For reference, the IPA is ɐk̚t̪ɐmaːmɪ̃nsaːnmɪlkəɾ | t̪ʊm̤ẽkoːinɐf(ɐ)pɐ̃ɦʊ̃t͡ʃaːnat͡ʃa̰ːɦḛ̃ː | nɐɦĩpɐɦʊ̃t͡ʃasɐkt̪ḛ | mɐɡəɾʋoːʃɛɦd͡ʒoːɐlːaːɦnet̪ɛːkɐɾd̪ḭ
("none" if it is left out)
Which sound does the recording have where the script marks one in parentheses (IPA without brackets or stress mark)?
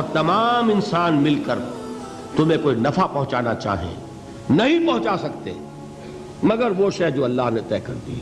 a